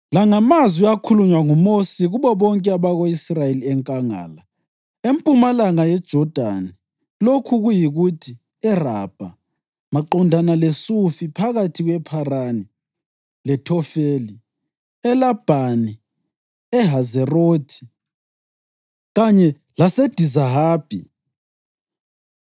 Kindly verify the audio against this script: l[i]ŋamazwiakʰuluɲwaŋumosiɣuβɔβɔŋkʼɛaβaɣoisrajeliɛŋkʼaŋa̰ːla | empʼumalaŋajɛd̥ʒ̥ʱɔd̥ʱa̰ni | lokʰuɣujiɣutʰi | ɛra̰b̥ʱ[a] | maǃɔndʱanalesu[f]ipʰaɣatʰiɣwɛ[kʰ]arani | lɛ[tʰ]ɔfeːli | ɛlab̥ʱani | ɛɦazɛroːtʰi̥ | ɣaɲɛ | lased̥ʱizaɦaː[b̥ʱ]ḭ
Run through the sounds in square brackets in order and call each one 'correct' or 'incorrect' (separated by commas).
incorrect, correct, correct, incorrect, correct, correct